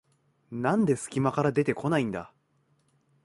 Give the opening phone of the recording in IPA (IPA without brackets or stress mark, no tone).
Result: n